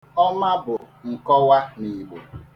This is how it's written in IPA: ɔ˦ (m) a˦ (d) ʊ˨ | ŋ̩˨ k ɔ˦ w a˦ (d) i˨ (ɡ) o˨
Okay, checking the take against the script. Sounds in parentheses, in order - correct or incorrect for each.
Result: correct, incorrect: b, incorrect: n, incorrect: ɡ͡b

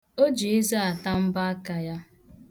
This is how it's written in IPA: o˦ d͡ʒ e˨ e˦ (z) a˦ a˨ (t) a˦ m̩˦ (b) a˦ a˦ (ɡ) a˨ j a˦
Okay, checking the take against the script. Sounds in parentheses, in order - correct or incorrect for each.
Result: correct, correct, correct, incorrect: k

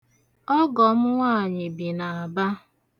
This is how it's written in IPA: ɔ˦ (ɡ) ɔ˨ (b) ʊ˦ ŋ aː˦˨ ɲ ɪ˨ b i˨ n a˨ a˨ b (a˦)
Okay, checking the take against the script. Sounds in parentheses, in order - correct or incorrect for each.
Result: correct, incorrect: m, correct

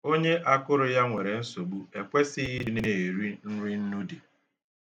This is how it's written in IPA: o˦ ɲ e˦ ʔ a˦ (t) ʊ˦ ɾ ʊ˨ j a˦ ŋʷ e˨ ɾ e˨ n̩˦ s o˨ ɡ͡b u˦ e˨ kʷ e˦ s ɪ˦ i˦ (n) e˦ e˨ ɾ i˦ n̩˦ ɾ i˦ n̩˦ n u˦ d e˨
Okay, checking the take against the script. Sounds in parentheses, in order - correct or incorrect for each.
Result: incorrect: k, correct

